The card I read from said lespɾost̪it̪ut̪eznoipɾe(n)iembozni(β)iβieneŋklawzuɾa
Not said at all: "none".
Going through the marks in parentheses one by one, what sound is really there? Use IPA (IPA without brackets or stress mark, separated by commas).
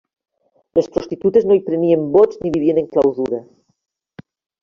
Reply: n, β